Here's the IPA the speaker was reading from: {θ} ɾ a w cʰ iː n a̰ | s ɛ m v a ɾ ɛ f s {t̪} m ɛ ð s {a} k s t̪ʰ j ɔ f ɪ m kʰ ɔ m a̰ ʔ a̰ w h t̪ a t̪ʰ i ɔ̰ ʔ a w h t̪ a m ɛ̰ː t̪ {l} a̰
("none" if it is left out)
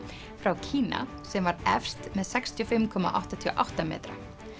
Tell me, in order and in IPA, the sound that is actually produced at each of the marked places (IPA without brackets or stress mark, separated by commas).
f, t̪, ɛ, ɾ